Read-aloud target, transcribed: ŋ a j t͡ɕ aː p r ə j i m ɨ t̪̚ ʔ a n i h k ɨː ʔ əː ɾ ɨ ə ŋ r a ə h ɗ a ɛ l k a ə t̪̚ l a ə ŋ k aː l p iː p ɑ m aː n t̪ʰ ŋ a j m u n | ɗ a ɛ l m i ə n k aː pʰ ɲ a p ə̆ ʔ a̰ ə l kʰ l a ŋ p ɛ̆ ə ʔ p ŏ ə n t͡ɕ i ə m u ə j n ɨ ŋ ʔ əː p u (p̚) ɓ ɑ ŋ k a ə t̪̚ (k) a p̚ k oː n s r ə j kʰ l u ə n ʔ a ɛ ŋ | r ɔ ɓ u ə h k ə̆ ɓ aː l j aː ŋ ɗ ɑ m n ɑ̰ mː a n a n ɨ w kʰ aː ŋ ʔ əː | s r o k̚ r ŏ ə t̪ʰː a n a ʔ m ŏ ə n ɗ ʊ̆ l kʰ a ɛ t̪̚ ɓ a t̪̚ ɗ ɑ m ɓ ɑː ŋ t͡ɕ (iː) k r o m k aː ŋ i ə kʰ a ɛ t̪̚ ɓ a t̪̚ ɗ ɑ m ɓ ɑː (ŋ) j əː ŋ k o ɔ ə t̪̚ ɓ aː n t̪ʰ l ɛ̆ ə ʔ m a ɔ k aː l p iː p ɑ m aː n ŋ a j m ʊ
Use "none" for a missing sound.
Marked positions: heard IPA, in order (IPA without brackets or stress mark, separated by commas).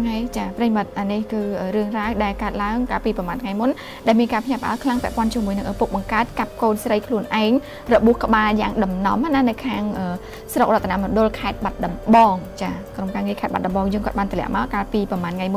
k̚, k, aː, ŋ